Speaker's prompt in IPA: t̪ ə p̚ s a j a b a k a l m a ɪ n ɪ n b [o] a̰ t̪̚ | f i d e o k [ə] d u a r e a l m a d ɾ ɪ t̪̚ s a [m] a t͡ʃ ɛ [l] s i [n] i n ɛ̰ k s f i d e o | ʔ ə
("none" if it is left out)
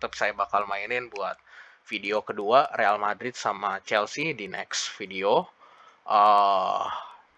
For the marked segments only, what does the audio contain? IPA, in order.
u, ə, m, l, d

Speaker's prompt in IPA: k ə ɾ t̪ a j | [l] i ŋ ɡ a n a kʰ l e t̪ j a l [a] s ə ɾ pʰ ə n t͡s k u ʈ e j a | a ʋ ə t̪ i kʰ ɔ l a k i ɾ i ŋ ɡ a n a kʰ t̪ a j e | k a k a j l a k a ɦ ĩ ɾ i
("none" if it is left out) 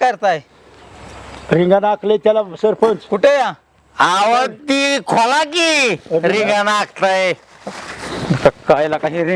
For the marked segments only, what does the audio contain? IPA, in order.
ɾ, a

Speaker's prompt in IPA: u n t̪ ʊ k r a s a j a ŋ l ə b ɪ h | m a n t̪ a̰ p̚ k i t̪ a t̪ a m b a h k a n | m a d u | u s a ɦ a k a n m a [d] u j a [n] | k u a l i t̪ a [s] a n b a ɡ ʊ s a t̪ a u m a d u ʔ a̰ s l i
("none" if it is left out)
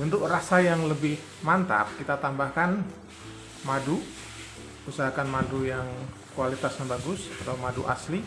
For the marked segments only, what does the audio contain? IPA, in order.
d, ŋ, s

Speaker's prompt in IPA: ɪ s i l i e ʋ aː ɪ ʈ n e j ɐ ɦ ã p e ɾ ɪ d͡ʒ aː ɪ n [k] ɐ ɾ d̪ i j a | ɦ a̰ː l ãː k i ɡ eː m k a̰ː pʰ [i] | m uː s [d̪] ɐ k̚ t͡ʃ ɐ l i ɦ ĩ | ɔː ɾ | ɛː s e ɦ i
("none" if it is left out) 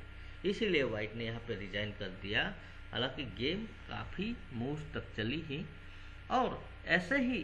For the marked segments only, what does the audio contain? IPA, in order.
k, i, t̪

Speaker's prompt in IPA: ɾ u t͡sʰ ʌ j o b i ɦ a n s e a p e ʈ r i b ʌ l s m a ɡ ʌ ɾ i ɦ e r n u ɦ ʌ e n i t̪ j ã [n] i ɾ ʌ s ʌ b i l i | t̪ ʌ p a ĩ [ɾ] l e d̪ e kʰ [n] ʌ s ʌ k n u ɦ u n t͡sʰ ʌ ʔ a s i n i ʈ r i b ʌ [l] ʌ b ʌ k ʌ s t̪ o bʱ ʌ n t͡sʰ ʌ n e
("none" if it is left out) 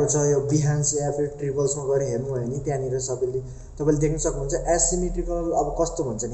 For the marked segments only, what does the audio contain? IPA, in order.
n, none, n, l

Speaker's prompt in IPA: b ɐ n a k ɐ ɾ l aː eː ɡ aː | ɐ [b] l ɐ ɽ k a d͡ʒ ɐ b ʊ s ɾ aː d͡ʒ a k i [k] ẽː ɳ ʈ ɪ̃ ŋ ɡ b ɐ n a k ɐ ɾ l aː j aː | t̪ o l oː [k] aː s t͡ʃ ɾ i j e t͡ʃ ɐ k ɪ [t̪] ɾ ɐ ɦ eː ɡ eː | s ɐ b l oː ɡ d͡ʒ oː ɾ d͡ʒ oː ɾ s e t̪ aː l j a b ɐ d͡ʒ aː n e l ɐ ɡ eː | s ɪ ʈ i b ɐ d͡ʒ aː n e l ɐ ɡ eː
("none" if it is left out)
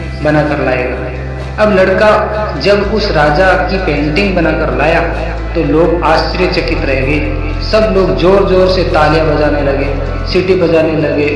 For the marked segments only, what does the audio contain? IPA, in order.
b, p, ɡ, t̪

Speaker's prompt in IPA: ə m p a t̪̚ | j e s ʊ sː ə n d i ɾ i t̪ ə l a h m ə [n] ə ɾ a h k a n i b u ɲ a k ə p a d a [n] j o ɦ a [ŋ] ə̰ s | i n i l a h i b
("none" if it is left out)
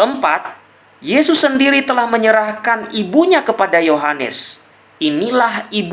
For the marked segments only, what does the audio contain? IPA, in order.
ɲ, none, n

